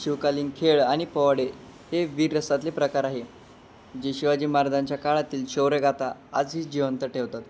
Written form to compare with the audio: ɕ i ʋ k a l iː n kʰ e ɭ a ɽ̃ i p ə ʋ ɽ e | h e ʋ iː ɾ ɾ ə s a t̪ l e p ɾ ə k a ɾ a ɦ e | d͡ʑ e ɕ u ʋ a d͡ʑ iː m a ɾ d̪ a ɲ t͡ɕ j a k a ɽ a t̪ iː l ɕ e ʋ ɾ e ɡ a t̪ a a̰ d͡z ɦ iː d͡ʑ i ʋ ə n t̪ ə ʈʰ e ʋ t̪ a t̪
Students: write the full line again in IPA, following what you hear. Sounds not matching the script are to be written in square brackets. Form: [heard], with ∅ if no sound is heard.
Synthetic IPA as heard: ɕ i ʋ k a l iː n kʰ e ɭ a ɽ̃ i p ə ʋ ɽ e | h e ʋ iː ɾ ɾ ə s a t̪ l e p ɾ ə k a ɾ a ɦ e | d͡ʑ e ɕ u ʋ a d͡ʑ iː m a ɾ d̪ a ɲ t͡ɕ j a k a [ɭ] a t̪ iː l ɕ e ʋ ɾ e ɡ a t̪ a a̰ d͡z ɦ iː d͡ʑ i ʋ ə n t̪ ə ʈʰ e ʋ t̪ a t̪